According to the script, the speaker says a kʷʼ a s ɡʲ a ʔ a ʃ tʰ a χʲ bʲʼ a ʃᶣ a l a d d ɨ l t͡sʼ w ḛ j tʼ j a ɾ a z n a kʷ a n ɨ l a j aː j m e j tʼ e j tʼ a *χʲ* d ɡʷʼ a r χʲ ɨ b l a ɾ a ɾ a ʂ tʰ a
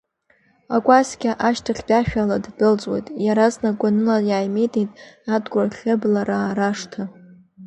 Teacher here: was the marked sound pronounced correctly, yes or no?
no